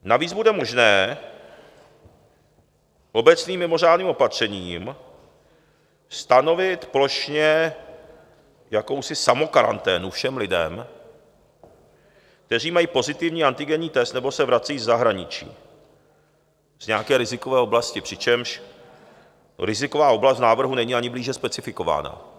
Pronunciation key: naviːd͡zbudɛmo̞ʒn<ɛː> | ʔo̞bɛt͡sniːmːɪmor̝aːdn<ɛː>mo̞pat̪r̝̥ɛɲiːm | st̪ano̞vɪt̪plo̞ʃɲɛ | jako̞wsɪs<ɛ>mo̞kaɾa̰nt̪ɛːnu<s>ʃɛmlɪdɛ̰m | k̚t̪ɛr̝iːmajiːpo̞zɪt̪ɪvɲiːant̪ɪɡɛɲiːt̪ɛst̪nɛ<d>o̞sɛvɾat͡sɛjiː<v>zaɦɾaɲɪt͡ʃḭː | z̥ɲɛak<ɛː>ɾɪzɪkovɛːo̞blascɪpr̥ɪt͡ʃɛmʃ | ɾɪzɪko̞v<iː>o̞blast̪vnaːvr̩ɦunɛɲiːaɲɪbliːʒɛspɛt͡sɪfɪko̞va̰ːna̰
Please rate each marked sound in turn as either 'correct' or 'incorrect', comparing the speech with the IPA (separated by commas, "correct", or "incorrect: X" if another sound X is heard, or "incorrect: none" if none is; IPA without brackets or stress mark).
correct, incorrect: iː, incorrect: a, incorrect: f, incorrect: b, incorrect: z, correct, incorrect: aː